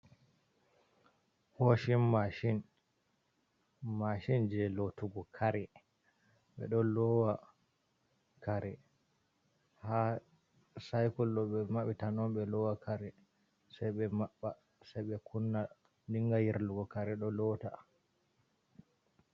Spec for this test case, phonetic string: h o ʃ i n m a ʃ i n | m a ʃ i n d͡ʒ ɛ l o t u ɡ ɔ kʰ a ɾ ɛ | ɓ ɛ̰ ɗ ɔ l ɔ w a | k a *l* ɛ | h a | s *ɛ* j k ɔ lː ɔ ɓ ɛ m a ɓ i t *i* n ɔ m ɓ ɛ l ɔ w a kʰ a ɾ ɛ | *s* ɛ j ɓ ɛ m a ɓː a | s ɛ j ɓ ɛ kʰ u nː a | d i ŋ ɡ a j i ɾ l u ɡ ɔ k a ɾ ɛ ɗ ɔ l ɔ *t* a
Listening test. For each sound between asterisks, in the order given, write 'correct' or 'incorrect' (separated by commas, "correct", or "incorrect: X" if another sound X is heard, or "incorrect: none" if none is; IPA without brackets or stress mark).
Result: incorrect: ɾ, incorrect: a, incorrect: a, correct, correct